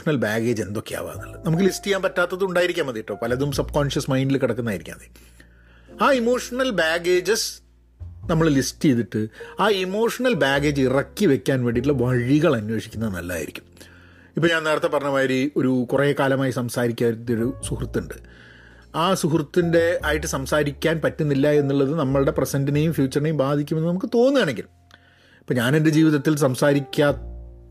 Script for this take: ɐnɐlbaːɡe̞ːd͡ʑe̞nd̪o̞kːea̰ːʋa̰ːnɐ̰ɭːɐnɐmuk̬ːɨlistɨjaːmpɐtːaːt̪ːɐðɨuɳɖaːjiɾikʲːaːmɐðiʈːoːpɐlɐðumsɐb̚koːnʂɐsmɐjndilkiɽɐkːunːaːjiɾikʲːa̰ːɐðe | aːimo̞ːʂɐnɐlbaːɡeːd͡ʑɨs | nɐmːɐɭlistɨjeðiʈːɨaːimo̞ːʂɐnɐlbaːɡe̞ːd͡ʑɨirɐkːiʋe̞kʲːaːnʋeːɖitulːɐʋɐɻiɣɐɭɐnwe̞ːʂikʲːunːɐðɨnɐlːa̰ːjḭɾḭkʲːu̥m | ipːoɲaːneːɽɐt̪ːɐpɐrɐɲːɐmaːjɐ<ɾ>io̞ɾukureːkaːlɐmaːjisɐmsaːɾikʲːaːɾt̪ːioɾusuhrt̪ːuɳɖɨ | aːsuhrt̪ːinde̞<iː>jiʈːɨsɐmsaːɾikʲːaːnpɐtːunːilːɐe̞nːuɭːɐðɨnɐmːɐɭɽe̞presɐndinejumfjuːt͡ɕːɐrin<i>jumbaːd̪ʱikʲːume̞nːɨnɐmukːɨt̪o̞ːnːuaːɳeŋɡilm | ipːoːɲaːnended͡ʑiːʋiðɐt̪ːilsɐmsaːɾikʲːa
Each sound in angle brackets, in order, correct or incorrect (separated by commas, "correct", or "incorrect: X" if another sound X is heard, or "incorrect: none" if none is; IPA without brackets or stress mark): correct, incorrect: aː, incorrect: e